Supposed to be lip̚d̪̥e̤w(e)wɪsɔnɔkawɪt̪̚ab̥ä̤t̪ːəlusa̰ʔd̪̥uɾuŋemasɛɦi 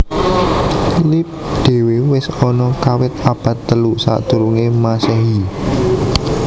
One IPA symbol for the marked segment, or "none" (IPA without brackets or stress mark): e